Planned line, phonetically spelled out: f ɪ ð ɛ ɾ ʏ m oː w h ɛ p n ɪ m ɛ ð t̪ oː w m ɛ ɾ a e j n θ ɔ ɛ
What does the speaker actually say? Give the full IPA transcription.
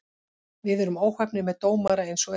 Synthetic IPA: v ɪ ð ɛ ɾ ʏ m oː w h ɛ p n ɪ m ɛ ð t̪ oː w m a ɾ a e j n s ɔ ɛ